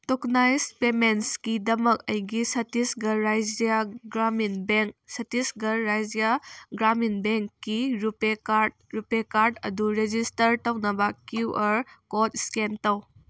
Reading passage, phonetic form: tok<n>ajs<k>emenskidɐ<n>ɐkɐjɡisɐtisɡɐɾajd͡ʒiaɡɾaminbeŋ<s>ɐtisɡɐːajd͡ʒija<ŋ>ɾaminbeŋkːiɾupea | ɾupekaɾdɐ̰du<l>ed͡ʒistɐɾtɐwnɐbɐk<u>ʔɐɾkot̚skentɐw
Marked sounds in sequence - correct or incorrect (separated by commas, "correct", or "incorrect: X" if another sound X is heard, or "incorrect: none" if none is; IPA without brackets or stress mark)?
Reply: correct, incorrect: p, incorrect: m, correct, incorrect: ɡ, incorrect: ɾ, correct